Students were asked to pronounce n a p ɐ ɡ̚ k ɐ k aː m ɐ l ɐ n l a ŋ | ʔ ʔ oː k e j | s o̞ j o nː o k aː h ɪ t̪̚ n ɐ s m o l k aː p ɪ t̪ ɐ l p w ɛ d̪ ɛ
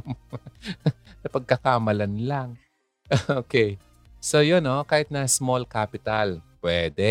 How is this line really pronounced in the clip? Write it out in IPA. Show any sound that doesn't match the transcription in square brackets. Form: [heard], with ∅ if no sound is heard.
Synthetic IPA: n [ɐ] p ɐ ɡ̚ k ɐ k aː m ɐ l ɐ n l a ŋ | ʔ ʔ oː k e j | s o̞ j o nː o k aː h ɪ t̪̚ n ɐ s m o l k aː p ɪ t̪ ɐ l p w ɛ d̪ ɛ